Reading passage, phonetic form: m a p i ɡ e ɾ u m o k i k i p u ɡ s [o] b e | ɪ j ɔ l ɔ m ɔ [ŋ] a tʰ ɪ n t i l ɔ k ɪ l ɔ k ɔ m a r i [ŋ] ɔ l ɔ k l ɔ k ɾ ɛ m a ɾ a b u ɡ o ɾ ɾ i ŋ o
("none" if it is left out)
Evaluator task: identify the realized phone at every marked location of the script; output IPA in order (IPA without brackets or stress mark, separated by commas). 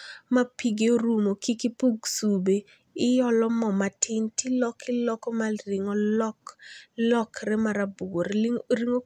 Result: u, m, ŋ